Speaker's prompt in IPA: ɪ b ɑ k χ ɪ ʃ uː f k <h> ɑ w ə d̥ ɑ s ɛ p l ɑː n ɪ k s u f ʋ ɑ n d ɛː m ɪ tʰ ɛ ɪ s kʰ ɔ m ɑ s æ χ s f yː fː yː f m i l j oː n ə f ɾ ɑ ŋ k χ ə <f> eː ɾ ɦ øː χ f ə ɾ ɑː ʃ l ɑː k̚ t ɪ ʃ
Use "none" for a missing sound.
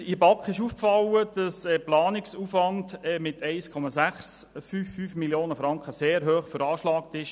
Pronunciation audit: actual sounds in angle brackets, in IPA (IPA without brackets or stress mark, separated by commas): f, s